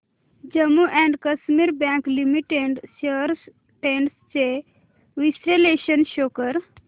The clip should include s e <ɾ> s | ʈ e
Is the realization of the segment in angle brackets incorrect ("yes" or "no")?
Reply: no